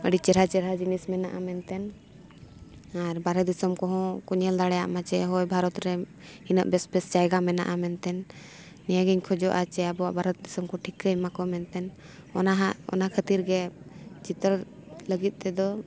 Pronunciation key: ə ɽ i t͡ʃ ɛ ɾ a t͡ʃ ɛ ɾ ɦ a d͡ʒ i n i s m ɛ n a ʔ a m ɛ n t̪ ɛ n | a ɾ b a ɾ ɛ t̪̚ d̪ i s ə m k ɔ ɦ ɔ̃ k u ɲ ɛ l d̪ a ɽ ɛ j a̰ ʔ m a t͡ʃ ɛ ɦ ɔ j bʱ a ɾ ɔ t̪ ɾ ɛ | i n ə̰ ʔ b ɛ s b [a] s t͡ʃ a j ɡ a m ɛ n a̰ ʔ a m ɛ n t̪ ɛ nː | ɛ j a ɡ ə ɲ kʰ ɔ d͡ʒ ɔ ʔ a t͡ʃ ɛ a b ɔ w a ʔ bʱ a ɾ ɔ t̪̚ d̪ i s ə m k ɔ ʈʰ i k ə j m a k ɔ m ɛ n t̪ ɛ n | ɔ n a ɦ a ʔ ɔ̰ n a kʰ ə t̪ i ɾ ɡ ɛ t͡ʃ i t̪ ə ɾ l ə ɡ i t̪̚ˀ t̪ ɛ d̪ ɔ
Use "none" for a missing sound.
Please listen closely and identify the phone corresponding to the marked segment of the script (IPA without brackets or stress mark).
ɛ